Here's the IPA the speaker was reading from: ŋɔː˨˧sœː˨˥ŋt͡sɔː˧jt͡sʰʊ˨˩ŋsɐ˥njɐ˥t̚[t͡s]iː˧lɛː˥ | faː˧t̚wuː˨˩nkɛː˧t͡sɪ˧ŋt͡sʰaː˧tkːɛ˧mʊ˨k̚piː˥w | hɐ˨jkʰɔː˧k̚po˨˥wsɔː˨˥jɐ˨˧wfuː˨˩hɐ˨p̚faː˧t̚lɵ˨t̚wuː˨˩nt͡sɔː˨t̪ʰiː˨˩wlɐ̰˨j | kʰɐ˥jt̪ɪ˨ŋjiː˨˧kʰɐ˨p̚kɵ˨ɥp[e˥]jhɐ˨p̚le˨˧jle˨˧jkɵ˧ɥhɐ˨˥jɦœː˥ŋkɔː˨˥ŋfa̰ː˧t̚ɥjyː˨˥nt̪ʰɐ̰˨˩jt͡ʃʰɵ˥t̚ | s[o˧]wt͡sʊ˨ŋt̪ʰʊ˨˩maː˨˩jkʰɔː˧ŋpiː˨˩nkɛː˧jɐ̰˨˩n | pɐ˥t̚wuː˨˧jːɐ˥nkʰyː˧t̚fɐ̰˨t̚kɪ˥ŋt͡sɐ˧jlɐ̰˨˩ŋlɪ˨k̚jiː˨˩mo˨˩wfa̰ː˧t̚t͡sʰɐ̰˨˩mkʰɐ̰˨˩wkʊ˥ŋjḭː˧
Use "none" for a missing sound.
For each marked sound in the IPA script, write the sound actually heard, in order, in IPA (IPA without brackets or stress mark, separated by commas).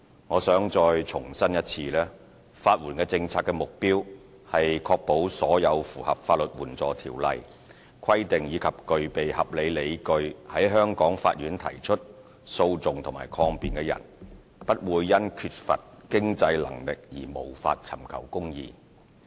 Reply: t͡sʰ, e˨, o˧